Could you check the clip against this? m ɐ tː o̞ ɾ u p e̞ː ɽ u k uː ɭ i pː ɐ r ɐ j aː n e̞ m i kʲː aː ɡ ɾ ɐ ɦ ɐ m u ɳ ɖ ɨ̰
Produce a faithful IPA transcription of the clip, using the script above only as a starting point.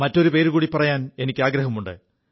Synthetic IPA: m ɐ tː o̞ ɾ u p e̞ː ɾ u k uː ɽ i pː ɐ r ɐ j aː n e̞ n i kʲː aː ɡ ɾ ɐ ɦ ɐ m u ɳ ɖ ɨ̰